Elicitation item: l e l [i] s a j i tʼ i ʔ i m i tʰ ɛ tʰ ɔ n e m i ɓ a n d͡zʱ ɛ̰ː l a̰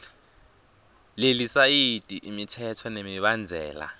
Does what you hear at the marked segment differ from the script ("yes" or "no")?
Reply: no